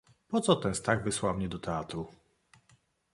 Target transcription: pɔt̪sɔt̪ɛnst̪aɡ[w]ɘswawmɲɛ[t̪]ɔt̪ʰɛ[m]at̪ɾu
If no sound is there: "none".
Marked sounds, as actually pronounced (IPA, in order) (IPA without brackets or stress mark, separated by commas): v, d̪, none